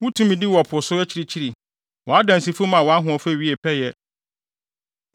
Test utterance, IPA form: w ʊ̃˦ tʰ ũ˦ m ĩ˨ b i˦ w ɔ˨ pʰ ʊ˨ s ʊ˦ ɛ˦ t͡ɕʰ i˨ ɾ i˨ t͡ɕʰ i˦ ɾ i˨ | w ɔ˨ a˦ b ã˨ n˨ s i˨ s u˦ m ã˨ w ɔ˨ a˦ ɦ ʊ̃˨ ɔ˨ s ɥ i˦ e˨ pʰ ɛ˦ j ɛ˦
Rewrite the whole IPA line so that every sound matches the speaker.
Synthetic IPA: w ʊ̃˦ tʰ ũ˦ m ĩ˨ d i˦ w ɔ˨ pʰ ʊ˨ s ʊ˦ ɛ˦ t͡ɕʰ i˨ ɾ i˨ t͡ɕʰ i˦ ɾ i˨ | w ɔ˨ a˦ d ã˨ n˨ s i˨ f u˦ m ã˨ w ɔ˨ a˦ ɦ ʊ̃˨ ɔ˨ f ɥ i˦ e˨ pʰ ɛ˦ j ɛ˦